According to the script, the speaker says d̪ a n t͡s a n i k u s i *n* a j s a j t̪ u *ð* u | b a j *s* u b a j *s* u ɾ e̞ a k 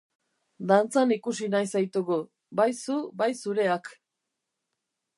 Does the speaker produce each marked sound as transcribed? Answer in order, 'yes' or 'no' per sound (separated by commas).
yes, no, yes, yes